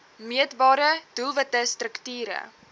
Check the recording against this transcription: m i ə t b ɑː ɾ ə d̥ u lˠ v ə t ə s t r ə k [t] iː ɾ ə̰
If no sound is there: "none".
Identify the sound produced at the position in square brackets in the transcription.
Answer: t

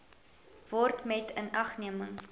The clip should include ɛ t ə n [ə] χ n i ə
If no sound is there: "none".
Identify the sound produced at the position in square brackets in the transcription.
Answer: ɐ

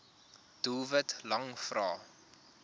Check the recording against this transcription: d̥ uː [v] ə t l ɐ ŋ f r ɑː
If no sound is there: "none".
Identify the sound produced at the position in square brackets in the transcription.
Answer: v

